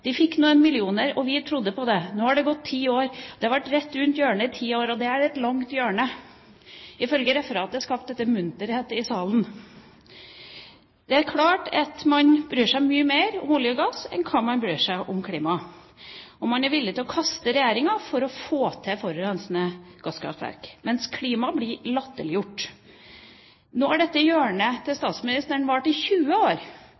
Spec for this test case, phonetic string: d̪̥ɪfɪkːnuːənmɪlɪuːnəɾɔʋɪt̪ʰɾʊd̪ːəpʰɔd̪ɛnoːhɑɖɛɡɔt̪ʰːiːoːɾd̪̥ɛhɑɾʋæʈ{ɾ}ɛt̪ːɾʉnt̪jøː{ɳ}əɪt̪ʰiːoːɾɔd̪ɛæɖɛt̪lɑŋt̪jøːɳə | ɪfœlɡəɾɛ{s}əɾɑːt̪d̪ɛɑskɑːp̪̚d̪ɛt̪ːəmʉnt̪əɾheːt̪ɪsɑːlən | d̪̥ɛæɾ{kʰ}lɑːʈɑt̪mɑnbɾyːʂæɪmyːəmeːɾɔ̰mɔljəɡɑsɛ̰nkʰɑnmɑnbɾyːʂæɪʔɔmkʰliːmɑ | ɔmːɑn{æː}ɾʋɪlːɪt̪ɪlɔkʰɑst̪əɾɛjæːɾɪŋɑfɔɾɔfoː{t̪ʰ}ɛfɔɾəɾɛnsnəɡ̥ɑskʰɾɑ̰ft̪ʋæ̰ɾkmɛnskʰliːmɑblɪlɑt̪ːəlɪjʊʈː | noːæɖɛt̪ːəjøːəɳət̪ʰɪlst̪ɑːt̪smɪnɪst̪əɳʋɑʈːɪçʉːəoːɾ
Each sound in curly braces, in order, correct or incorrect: correct, correct, incorrect, correct, incorrect, correct

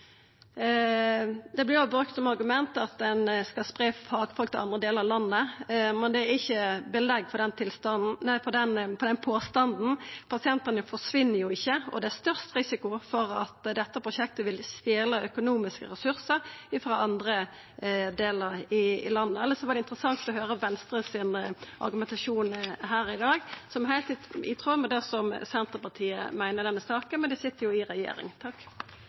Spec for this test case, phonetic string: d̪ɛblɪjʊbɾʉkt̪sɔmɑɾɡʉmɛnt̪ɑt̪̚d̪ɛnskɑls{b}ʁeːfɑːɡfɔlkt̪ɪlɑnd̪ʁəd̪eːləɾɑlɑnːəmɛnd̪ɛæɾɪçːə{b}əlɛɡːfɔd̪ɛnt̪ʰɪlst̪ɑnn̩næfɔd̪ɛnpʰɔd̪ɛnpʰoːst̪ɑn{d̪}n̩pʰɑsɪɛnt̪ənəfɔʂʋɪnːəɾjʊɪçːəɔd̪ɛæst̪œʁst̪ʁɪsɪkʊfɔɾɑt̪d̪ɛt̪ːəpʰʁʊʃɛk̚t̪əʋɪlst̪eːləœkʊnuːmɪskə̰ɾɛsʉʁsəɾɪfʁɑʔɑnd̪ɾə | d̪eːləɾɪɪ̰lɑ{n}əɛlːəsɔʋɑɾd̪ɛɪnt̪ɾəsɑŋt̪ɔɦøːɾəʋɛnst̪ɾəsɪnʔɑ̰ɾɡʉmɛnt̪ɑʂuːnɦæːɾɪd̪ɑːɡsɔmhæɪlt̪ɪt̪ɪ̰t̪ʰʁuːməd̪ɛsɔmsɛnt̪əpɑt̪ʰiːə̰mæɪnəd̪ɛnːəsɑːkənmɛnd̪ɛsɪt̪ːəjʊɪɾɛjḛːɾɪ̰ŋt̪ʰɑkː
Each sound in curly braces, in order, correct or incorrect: incorrect, correct, correct, incorrect

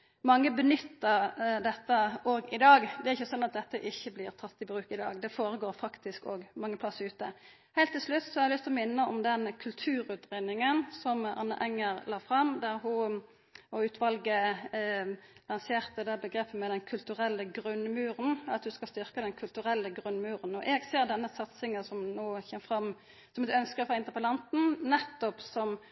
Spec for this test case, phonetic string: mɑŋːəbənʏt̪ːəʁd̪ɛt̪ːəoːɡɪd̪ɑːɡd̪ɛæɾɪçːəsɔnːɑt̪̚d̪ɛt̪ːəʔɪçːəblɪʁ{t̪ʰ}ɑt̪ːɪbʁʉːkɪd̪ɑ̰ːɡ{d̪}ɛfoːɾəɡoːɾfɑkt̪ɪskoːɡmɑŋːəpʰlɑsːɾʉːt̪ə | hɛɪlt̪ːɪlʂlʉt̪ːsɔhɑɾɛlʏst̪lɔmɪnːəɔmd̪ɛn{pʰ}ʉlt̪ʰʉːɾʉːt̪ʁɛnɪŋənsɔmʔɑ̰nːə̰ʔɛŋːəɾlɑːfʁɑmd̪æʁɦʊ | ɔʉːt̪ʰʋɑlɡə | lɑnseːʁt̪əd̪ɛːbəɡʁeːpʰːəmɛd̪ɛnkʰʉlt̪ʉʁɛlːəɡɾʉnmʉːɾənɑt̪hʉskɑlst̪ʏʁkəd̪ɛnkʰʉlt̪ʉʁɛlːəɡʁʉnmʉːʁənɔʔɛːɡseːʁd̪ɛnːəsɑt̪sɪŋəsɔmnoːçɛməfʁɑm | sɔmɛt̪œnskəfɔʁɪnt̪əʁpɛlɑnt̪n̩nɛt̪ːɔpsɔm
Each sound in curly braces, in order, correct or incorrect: correct, correct, incorrect

